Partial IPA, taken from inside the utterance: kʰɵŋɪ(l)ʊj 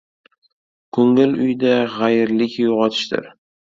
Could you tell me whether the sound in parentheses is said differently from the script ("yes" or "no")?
no